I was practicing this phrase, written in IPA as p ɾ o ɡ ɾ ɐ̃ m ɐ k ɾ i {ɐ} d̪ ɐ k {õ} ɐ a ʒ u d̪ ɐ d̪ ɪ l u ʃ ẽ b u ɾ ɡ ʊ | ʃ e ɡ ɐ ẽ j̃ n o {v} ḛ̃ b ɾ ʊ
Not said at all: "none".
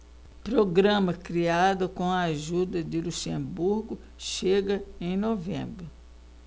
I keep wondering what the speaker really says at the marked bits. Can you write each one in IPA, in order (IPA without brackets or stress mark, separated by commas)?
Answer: a, õ, v